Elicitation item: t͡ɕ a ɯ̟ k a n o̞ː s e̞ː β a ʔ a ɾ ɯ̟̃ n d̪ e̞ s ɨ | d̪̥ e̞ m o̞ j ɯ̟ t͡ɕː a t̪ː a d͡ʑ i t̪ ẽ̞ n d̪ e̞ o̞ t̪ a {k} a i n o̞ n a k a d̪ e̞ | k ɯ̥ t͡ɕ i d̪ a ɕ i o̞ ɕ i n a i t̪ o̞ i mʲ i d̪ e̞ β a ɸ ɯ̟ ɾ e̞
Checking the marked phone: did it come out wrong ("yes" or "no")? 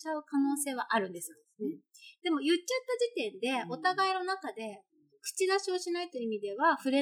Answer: yes